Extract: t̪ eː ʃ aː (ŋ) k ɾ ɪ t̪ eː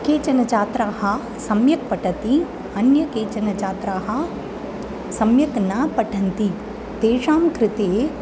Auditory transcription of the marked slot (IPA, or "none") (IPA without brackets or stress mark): m